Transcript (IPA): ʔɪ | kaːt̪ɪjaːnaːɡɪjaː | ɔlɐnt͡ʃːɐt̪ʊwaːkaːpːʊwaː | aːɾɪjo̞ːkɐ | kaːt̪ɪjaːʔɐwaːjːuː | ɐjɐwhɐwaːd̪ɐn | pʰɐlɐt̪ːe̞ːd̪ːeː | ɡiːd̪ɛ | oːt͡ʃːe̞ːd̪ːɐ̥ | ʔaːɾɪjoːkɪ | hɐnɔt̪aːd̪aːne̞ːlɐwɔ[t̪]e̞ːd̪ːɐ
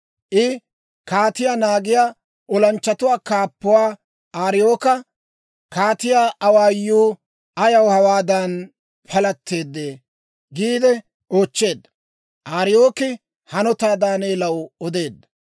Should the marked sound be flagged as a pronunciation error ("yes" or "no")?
yes